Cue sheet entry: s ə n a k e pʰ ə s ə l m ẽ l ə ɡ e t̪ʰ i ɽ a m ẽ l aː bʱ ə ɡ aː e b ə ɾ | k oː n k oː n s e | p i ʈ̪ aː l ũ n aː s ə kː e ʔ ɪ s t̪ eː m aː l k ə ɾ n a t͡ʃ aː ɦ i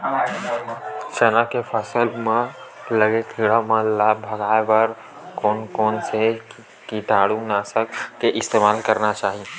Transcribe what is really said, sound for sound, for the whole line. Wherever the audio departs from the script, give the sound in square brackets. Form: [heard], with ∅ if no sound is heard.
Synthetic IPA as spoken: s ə n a k e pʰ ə s ə l m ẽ l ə ɡ e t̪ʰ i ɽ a m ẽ l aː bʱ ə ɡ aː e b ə ɾ | k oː n k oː n s e | [k] i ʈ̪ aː [ɽ] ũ n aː s ə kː e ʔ ɪ s t̪ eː m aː l k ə ɾ n a t͡ʃ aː ɦ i